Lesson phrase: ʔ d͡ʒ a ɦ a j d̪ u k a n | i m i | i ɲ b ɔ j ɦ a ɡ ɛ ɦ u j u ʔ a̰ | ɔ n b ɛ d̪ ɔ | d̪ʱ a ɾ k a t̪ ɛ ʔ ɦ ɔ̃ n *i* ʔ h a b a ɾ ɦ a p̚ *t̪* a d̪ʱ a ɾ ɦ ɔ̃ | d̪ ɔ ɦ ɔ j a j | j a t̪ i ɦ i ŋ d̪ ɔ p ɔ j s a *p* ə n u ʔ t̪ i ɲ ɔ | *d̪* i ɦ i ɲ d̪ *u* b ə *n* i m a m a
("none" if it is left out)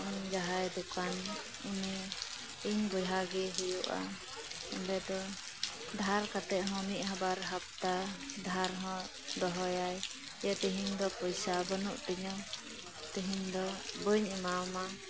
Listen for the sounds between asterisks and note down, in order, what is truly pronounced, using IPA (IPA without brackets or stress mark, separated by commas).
i, t̪, b, t̪, ɔ, ɲ